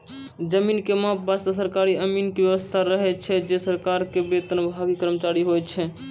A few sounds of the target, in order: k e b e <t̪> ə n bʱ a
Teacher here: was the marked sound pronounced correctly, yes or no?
yes